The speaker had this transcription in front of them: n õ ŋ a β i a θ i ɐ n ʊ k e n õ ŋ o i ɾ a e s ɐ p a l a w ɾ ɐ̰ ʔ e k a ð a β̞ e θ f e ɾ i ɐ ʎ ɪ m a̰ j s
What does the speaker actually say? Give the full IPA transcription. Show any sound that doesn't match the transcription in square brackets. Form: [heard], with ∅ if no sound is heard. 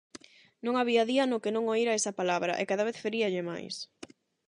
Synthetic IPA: n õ ŋ a β i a [ð] i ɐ n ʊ k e n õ ŋ o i ɾ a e s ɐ p a l a [β] ɾ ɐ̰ ʔ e k a ð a β̞ e θ f e ɾ i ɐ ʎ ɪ m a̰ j s

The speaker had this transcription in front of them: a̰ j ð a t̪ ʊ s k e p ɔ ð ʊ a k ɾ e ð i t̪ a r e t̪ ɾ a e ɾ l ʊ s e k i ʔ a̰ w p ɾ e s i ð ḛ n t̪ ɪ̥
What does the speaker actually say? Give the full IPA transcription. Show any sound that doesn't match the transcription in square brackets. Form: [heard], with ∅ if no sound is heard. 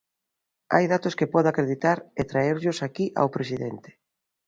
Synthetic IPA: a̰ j ð a t̪ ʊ s k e p ɔ ð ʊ a k ɾ e ð i t̪ a [ɾ] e t̪ ɾ a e ɾ [ʎ] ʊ s [a] k i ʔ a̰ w p ɾ e s i ð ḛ n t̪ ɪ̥

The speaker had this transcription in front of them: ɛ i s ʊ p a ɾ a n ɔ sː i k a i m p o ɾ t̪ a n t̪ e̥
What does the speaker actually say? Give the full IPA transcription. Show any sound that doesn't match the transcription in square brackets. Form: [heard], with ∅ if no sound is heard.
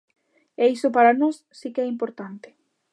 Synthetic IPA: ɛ i s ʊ p a ɾ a n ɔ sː i k [ɛ] i m p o ɾ t̪ a n t̪ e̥

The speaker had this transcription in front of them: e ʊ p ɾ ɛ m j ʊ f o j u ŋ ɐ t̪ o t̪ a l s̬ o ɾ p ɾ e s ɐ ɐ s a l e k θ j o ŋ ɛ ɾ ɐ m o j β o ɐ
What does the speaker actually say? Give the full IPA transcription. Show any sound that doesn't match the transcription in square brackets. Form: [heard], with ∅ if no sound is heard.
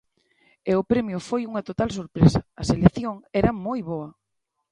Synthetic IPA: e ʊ p ɾ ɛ m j ʊ f o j u ŋ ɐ t̪ o t̪ a l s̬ o ɾ p ɾ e s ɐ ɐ s [e] l e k θ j o ŋ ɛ ɾ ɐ m o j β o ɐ

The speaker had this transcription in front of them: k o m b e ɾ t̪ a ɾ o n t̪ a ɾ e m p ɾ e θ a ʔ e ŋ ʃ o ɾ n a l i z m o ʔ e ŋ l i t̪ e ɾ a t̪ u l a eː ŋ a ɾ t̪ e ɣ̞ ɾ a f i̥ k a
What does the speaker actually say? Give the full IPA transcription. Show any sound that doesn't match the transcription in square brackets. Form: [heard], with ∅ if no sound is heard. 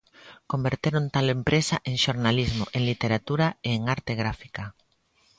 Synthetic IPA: k o m b e ɾ t̪ [e] ɾ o n t̪ a [l] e m p ɾ e [s] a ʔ e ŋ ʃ o ɾ n a l i z m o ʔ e ŋ l i t̪ e ɾ a t̪ u [ɾ] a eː ŋ a ɾ t̪ e ɣ̞ ɾ a f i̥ k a

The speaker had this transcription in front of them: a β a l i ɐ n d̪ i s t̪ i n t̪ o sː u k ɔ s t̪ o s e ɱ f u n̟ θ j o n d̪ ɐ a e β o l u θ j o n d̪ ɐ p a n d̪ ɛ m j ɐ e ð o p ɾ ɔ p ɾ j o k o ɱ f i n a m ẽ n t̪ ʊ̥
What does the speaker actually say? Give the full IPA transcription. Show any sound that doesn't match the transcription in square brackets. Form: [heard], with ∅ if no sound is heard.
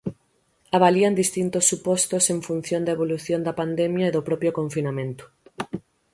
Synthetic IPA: a β a l i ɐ n d̪ i s t̪ i n t̪ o sː u [p] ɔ s t̪ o s e ɱ f u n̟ θ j o n d̪ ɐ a e β o l u θ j o n d̪ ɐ p a n d̪ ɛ m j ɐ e ð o p ɾ ɔ p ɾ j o k o ɱ f i n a m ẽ n t̪ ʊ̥

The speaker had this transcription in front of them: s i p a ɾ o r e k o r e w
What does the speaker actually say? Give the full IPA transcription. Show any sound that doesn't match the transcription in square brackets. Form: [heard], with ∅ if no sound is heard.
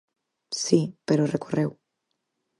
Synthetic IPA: s i p [e] ɾ o r e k o r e w

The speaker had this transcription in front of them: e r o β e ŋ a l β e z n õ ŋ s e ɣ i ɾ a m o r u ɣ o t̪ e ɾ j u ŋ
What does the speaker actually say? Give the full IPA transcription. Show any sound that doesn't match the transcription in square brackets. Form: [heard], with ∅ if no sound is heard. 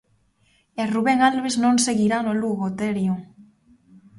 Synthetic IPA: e r [u] β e ŋ a l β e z n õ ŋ s e ɣ i ɾ a [n] o [l] u ɣ o t̪ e ɾ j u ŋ

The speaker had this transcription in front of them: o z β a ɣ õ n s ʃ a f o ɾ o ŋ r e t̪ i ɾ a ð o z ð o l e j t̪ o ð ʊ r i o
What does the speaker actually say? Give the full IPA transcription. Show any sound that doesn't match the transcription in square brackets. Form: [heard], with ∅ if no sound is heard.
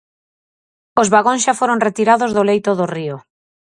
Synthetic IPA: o z β a ɣ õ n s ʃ a f o ɾ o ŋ r e t̪ i ɾ a ð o z ð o l e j t̪ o ð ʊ r i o

